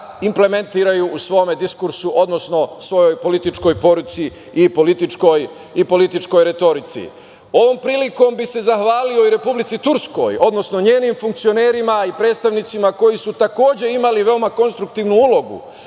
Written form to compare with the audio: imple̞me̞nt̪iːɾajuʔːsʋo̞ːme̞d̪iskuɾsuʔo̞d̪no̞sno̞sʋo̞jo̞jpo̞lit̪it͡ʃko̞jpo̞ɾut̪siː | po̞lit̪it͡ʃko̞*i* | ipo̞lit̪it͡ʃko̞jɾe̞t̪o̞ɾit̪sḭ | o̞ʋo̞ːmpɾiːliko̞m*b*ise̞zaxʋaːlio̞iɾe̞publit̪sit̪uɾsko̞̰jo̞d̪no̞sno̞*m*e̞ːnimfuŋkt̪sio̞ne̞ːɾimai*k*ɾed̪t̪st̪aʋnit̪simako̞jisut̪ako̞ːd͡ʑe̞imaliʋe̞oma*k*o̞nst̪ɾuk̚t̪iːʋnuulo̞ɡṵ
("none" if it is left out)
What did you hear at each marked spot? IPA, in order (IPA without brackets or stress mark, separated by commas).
j, b, ɲ, p, k